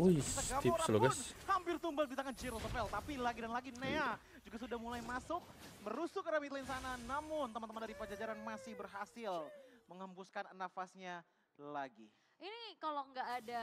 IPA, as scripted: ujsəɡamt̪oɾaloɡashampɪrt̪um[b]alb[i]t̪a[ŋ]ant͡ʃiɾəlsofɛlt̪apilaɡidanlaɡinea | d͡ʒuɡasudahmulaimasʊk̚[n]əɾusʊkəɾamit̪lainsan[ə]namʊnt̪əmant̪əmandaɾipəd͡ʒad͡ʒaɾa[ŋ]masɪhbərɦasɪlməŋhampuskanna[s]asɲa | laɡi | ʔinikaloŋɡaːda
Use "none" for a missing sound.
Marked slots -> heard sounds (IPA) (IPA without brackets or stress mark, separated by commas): b, i, ŋ, m, a, n, f